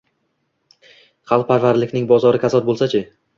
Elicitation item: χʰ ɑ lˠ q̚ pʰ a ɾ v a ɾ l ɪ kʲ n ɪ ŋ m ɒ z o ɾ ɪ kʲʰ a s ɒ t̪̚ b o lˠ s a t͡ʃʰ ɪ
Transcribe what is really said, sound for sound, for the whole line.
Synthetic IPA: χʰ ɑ lˠ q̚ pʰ a ɾ v a ɾ l ɪ kʲ n ɪ ŋ b ɒ z ɒ ɾ ɪ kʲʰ a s ɒ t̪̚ b o lˠ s a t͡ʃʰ ɪ